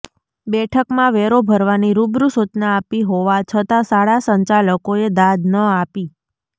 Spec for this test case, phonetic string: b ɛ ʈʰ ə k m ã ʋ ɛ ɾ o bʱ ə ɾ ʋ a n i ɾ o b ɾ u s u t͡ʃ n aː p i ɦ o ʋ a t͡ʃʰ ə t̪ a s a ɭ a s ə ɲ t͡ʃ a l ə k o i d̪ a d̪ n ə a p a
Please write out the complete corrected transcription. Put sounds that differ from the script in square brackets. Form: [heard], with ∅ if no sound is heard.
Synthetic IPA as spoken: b ɛ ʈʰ ə k m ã ʋ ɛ ɾ o bʱ ə ɾ ʋ a n i ɾ [u] b ɾ u s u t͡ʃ n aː p i ɦ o ʋ a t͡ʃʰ ə t̪ a s a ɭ a s ə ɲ t͡ʃ a l ə k o [e] d̪ a d̪ n ə a p [i]